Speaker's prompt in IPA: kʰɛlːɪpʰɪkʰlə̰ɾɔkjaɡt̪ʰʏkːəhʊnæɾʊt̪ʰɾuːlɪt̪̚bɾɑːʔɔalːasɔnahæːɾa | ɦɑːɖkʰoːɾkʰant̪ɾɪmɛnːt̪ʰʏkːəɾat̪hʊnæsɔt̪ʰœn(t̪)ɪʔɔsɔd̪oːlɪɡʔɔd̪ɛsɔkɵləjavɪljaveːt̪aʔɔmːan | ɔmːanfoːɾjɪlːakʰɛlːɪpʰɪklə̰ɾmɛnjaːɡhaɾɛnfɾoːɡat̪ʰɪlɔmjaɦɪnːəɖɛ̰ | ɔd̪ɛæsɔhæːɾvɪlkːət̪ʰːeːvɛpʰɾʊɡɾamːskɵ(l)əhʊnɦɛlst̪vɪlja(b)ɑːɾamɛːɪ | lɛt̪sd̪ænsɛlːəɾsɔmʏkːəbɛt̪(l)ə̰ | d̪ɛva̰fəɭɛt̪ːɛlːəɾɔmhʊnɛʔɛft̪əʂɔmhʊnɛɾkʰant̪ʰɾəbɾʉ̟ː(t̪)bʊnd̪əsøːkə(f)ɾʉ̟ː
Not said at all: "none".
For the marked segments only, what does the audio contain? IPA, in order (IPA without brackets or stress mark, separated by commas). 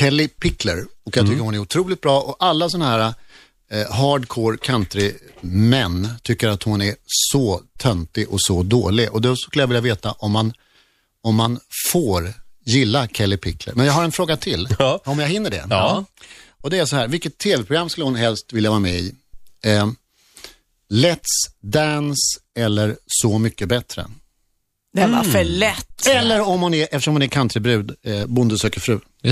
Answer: t̪, lː, v, ɾ, d̪, f